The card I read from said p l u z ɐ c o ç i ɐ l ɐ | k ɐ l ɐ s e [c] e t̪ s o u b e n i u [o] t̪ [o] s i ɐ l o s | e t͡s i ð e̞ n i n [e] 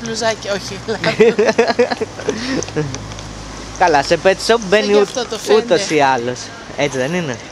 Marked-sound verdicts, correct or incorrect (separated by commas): incorrect, incorrect, correct, correct